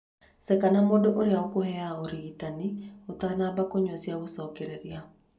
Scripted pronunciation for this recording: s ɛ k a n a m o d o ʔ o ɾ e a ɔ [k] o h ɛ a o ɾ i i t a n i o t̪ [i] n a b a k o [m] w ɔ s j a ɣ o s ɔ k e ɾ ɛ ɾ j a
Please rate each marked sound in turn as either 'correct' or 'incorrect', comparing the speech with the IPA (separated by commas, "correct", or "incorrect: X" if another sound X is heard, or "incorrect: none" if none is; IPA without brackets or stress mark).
correct, incorrect: a, incorrect: ɲ